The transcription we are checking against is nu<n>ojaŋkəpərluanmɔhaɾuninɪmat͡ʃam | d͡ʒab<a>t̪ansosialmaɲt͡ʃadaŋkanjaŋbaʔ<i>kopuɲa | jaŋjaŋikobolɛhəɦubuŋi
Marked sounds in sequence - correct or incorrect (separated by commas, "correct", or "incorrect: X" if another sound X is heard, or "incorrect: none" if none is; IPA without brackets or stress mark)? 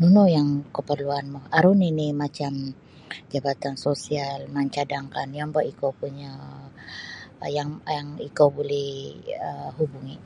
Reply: correct, correct, correct